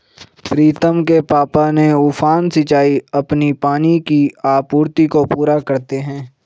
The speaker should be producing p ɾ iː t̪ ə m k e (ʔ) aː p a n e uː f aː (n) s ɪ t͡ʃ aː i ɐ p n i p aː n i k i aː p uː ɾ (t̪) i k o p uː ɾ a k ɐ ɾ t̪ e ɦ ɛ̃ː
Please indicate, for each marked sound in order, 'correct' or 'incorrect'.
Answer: incorrect, correct, correct

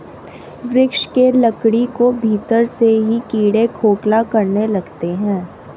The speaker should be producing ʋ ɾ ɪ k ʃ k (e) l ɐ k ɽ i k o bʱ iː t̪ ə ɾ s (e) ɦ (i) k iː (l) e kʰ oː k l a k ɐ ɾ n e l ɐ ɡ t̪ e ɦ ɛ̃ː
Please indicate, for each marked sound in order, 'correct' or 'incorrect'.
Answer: correct, correct, correct, incorrect

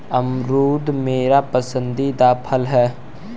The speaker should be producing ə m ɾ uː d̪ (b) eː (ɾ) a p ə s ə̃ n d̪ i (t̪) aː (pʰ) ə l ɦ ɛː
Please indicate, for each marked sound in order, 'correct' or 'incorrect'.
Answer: incorrect, correct, incorrect, correct

